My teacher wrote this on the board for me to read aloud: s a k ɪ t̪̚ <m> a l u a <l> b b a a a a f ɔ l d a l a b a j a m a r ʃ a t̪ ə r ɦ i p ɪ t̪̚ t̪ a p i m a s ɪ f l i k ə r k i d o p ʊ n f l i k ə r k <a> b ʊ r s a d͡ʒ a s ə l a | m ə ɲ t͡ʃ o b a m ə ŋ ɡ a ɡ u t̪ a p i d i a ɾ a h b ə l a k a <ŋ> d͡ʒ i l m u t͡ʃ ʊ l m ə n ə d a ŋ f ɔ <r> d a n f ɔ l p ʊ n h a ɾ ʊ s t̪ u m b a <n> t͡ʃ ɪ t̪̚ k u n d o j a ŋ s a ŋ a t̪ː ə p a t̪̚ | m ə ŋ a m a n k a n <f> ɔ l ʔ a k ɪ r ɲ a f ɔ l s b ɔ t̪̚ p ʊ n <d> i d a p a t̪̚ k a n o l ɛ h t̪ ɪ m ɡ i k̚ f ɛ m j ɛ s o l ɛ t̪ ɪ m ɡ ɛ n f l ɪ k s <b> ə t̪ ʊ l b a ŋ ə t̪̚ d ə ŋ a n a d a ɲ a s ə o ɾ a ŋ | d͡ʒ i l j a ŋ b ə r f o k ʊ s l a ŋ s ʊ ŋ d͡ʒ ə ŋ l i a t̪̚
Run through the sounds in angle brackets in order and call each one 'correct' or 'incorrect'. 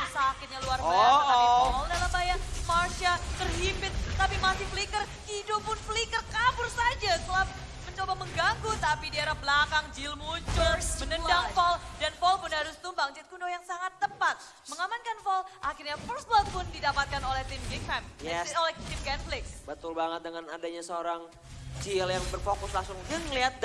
incorrect: ɲ, incorrect: r, correct, correct, incorrect: l, incorrect: ŋ, correct, correct, correct

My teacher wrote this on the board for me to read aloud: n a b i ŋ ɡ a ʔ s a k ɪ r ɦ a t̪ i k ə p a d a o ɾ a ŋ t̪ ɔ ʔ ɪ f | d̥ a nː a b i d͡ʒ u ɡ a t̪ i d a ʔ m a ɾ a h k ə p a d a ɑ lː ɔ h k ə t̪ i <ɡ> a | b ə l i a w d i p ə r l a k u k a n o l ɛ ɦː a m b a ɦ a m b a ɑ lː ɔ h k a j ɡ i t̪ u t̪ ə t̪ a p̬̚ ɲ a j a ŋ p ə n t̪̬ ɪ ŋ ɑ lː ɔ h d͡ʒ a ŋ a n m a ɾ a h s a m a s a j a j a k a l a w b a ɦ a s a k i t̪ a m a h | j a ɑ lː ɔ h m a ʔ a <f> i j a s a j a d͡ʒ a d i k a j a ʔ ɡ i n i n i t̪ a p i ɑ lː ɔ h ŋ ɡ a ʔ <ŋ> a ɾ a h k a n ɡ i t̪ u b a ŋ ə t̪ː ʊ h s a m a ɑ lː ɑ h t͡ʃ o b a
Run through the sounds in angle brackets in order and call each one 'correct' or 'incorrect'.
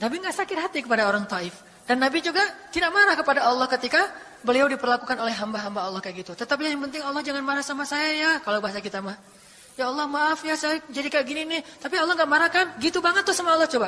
incorrect: k, correct, incorrect: m

